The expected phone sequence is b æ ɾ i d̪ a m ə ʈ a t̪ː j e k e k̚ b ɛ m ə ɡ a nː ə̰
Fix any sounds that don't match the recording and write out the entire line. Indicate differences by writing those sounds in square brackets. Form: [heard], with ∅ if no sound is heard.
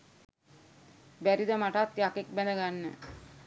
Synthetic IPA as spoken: b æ ɾ i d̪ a m [a] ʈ a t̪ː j [a] k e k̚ b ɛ [n] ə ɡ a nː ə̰